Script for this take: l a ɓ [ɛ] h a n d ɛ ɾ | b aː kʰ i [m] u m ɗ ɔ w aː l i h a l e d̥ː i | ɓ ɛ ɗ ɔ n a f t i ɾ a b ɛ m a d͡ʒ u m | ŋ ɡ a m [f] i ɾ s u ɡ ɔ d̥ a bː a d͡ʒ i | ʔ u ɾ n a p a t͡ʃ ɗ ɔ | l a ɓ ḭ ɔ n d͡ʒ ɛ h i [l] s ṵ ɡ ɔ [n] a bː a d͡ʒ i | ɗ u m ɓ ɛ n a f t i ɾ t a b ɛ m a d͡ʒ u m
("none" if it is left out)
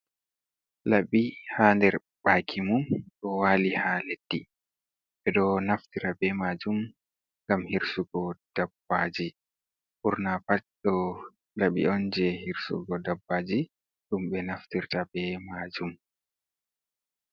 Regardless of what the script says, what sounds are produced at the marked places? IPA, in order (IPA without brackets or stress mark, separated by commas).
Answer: i, m, h, ɾ, d